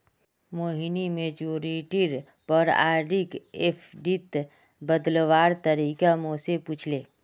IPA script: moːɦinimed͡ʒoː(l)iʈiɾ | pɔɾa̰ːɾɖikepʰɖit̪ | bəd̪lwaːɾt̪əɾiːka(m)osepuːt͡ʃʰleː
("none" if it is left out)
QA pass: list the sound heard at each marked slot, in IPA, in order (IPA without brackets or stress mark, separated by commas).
ɾ, m